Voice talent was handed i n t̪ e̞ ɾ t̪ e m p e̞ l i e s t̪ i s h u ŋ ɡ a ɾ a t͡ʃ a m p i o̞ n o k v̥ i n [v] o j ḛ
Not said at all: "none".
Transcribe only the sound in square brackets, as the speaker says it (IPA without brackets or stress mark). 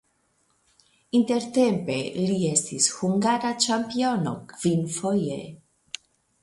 f